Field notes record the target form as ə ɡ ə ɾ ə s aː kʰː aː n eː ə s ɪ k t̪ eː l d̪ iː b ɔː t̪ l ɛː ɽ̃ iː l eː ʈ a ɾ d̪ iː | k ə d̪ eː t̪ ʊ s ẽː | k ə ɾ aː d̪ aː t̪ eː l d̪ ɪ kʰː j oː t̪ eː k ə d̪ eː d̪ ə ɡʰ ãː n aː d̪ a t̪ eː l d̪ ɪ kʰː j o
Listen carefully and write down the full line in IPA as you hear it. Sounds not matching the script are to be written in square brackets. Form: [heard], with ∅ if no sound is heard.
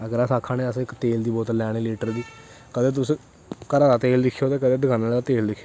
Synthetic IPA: ə ɡ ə ɾ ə s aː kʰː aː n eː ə s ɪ k t̪ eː l d̪ iː b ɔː t̪ l ɛː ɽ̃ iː l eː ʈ [ə] ɾ d̪ iː | k ə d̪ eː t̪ ʊ s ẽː | k ə ɾ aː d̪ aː t̪ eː l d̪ ɪ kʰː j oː t̪ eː k ə d̪ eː d̪ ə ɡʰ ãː n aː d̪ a t̪ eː l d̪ ɪ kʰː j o

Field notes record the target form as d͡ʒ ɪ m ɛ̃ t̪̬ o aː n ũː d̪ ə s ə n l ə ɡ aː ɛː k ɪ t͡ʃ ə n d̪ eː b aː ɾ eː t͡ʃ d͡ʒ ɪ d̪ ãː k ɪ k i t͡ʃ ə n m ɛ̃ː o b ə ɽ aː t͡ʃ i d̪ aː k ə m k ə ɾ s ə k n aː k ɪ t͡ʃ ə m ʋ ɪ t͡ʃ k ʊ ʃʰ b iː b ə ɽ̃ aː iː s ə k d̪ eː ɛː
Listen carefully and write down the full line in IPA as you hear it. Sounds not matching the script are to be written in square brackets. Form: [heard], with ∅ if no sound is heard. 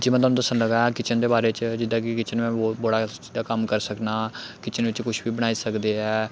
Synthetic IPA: d͡ʒ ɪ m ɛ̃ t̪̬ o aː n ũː d̪ ə s ə n l ə ɡ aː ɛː k ɪ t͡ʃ ə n d̪ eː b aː ɾ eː t͡ʃ d͡ʒ ɪ d̪ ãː k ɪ k [ɪ] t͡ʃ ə n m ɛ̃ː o b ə ɽ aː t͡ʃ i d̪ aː k ə m k ə ɾ s ə k n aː k ɪ t͡ʃ ə [n] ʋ ɪ t͡ʃ k ʊ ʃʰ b iː b ə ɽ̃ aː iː s ə k d̪ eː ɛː

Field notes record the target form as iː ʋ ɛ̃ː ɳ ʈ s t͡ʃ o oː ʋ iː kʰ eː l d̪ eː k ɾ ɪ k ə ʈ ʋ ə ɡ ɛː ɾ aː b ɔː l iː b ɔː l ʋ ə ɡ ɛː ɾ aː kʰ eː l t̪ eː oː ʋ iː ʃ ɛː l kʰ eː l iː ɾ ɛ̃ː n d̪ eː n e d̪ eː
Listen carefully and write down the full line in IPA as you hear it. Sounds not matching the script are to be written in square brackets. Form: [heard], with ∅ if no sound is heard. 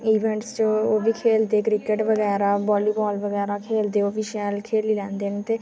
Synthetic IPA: iː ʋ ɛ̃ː ɳ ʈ s t͡ʃ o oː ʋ iː kʰ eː l d̪ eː k ɾ ɪ k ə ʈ ʋ ə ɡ ɛː ɾ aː b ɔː l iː b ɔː l ʋ ə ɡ ɛː ɾ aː kʰ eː l [d̪] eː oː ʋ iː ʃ ɛː l kʰ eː l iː [l] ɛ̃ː n d̪ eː n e [t̪] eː

